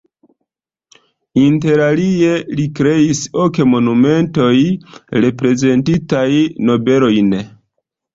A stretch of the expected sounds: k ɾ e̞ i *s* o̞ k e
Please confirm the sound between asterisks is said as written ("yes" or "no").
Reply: yes